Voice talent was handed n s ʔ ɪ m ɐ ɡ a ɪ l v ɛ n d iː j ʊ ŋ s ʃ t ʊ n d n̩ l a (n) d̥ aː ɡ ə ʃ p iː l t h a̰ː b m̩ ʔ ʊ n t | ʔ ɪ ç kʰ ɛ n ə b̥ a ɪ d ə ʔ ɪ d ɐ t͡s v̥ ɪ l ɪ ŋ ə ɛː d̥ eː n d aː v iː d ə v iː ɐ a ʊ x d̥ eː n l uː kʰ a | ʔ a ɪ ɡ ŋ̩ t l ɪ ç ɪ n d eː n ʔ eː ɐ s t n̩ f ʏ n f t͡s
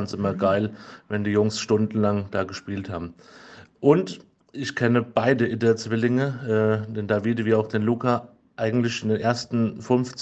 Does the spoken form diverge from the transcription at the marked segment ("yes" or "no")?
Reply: yes